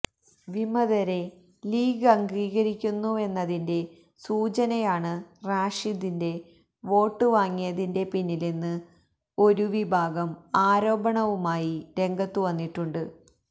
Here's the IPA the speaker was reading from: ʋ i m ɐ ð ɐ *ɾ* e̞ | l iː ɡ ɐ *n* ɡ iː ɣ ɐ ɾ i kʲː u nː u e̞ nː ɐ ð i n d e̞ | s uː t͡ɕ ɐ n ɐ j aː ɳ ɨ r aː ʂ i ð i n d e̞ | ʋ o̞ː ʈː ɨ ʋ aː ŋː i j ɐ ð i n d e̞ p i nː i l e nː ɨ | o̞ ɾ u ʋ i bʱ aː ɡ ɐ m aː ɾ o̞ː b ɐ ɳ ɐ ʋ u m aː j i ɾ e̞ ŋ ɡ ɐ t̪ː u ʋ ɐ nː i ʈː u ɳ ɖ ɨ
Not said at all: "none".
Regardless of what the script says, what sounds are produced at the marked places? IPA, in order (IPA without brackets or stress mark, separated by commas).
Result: ɾ, ŋ